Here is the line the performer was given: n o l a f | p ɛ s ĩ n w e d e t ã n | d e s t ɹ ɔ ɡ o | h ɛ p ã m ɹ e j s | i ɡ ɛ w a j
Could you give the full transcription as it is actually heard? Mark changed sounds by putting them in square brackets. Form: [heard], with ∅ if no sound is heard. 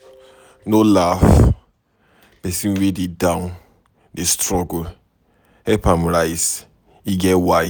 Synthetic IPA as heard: n o l a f | p ɛ s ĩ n w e d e [d] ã n | d e s t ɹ ɔ ɡ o | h ɛ p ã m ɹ [a] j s | i ɡ ɛ w a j